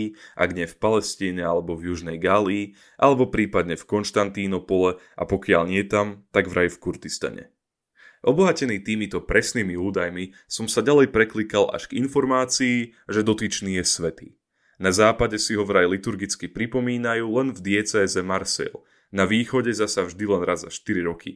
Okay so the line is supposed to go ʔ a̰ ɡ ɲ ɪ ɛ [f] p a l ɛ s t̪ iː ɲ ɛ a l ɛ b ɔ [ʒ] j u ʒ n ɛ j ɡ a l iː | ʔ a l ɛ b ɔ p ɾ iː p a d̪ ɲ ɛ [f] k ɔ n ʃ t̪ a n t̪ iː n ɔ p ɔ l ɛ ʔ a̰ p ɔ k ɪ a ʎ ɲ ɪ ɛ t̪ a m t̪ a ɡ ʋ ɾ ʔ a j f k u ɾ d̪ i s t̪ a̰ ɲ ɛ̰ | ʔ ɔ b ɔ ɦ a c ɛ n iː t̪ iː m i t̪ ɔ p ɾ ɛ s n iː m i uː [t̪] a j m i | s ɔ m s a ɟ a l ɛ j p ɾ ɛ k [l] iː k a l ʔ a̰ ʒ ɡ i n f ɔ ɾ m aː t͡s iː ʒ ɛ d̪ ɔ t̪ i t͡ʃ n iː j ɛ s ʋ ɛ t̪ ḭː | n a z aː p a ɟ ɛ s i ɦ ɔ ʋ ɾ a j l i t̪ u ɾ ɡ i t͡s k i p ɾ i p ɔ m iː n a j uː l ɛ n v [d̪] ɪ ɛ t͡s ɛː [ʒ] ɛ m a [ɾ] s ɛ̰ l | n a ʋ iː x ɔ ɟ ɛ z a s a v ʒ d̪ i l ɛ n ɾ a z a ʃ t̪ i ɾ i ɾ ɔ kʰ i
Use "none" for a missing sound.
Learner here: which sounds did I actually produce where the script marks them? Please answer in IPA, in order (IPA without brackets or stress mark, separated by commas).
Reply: f, v, f, d̪, l, d̪, z, ɾ